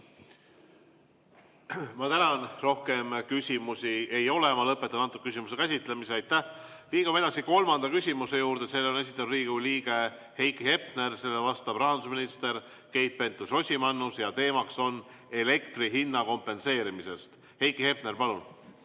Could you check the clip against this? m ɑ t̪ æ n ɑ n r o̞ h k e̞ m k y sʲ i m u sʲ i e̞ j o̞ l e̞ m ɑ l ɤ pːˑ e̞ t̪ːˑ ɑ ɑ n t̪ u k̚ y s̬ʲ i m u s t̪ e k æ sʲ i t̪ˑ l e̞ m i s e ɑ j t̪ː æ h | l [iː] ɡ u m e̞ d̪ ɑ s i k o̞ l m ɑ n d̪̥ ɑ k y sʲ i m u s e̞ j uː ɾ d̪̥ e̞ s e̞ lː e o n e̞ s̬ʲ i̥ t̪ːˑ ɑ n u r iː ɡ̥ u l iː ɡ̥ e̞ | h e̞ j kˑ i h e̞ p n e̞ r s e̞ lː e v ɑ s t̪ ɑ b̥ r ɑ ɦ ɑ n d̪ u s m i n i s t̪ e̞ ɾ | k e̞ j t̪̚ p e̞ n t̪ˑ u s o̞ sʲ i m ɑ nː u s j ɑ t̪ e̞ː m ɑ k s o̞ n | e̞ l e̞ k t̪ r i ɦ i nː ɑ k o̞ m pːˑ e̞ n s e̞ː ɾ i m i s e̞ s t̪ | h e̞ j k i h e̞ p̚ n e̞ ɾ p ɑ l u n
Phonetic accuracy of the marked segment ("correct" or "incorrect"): correct